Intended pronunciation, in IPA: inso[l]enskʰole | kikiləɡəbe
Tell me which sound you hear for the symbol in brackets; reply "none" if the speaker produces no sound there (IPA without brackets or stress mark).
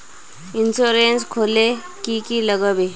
ɾ